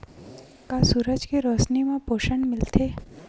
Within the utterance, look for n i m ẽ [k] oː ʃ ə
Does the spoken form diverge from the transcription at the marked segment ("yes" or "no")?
yes